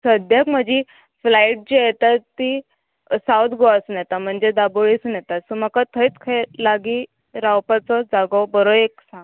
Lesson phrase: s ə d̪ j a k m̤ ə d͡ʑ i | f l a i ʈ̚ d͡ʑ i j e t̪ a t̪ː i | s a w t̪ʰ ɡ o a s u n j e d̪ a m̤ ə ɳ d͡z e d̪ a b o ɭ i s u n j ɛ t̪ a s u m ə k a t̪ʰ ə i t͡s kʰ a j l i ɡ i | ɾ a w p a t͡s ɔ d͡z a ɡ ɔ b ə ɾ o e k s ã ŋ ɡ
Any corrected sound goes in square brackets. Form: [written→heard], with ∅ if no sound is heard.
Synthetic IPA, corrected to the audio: s ə d̪ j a k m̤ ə d͡ʑ i | f l a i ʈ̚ d͡ʑ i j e t̪ a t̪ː i | s a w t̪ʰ ɡ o a s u n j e [d̪→t̪] a m̤ ə ɳ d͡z e d̪ a b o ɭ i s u n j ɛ t̪ a s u m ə k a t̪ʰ ə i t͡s kʰ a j l [i→a] ɡ i | ɾ a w p a t͡s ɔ d͡z a ɡ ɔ b ə ɾ o e k s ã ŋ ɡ